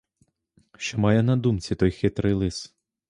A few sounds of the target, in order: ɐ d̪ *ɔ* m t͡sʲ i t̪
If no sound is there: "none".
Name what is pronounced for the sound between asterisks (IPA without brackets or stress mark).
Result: u